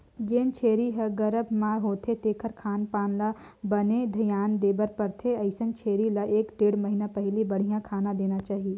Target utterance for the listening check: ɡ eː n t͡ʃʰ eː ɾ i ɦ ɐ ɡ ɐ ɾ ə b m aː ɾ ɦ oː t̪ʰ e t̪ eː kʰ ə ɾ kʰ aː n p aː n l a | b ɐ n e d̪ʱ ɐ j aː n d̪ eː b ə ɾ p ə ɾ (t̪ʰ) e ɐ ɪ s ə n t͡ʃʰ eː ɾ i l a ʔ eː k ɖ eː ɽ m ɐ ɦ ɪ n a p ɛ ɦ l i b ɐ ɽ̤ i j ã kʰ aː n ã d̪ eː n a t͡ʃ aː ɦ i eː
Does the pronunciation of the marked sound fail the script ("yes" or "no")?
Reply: no